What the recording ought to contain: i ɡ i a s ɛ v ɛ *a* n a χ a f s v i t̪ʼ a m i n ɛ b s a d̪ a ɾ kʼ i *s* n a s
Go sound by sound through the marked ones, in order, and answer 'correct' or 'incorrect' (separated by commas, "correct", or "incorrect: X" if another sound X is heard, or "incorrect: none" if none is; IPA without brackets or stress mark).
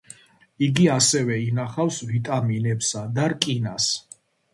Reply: incorrect: i, incorrect: none